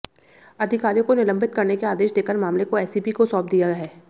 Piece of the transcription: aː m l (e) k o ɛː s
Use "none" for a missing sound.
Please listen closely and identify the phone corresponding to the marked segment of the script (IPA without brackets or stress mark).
e